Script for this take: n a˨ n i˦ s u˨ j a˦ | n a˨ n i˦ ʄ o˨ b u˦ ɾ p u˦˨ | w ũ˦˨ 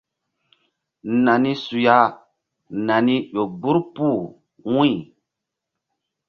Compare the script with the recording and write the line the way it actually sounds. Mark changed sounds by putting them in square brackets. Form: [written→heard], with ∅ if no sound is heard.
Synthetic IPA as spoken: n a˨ n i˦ s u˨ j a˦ | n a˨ n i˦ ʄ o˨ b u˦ ɾ p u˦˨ | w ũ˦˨